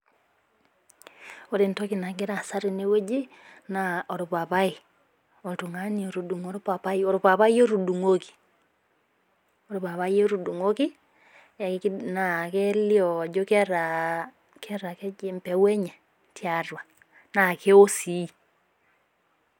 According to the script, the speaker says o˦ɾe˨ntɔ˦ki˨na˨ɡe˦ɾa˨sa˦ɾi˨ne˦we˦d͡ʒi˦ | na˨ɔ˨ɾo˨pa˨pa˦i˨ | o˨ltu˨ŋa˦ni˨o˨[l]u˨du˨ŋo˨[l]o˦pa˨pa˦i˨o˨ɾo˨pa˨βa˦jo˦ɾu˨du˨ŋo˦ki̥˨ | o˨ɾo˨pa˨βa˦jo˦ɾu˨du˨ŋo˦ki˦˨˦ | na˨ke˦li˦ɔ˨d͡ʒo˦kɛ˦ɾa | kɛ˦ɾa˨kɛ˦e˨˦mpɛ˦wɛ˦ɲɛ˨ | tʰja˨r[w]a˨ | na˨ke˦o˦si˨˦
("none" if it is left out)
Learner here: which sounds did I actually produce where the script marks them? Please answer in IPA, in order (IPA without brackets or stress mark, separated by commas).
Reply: ɾ, ɾ, w